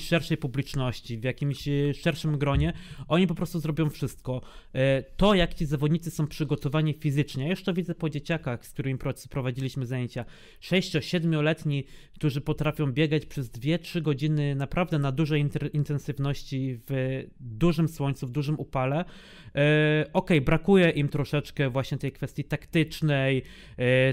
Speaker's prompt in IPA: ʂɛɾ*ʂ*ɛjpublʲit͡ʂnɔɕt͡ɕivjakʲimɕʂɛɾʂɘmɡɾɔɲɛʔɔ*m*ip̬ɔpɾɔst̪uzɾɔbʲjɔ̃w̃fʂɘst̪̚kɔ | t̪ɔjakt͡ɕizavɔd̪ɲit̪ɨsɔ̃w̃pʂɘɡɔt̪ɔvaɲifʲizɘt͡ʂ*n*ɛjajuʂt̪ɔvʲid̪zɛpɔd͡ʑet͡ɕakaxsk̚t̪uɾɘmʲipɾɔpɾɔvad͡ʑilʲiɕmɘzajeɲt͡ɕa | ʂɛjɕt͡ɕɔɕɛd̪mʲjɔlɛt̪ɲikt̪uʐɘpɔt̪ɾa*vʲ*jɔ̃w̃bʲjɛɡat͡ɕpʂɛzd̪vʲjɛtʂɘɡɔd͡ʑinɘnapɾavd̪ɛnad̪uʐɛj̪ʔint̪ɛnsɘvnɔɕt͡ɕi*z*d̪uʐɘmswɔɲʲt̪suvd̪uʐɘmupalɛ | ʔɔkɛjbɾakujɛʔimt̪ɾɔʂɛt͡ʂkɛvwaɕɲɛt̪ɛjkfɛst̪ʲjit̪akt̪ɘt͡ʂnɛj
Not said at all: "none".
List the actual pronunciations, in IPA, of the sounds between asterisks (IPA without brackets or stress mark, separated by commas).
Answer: ʂ, ɲ, ɲ, fʲ, v